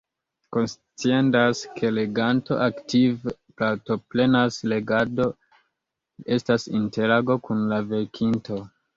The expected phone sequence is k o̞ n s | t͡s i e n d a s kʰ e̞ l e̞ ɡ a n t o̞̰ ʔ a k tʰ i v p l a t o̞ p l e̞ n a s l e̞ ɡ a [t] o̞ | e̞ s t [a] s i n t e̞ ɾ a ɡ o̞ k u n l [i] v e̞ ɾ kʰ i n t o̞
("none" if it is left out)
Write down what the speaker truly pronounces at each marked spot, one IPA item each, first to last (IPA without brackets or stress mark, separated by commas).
d, a, a